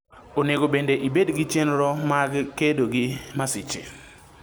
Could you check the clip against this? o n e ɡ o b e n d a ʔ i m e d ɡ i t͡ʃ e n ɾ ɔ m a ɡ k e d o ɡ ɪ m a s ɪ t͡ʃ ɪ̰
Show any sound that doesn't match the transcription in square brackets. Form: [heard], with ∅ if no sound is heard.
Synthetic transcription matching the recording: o n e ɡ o b e n d [e] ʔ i [b] e d ɡ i t͡ʃ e n ɾ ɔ m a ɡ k e d o ɡ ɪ m a s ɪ t͡ʃ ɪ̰